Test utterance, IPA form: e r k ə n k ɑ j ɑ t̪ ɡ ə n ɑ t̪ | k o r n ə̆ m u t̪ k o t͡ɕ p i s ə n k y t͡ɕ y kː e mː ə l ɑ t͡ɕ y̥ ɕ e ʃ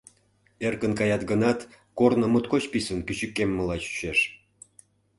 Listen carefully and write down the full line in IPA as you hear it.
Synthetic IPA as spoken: e r k ə n k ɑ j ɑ t̪ ɡ ə n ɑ t̪ | k o r n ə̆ m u t̪ k o t͡ɕ p i s ə n k y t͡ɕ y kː e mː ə l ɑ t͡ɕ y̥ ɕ e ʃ